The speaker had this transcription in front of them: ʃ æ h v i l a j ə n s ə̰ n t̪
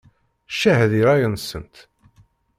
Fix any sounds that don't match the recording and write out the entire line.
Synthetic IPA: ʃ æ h ð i ɾ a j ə n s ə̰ n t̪